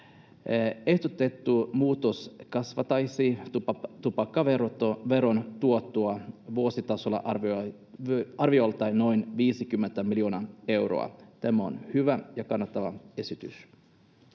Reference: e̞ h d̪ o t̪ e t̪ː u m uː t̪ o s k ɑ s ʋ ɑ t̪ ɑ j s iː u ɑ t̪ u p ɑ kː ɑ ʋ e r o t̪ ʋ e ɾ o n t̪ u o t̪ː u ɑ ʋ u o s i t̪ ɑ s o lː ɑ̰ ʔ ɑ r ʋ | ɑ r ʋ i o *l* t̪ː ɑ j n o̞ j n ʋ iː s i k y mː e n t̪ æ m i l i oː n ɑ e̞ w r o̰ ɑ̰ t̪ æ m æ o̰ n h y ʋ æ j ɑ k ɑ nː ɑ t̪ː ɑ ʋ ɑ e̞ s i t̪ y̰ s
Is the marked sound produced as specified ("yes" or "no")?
yes